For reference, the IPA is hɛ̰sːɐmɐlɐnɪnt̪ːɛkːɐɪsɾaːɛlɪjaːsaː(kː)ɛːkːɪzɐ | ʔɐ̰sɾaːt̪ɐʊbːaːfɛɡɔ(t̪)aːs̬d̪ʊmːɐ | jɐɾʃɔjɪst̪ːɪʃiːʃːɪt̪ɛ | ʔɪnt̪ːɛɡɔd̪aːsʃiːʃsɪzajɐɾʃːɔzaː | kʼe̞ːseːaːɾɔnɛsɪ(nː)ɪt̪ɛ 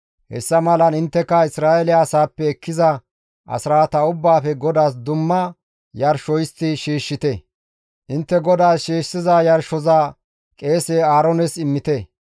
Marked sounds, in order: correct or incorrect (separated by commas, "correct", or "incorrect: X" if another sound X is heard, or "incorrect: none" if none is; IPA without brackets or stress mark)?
incorrect: pː, incorrect: d̪, incorrect: mː